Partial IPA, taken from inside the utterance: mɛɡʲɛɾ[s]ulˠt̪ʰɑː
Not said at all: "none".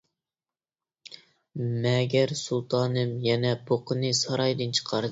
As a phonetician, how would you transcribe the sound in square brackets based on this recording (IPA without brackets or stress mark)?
s